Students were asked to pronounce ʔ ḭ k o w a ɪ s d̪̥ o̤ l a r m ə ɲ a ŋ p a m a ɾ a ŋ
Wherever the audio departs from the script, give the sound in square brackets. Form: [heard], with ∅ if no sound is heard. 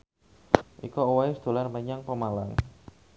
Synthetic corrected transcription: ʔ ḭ k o w a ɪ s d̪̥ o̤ l a r m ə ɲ a ŋ p [ə] m a [l] a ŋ